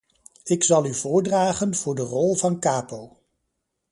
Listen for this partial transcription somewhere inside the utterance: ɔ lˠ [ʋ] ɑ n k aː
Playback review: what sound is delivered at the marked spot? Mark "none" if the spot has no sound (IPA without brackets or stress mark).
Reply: v